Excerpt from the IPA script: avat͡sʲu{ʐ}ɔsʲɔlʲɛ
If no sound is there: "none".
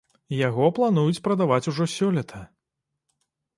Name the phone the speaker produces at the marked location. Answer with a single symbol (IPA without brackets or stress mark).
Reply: ʐ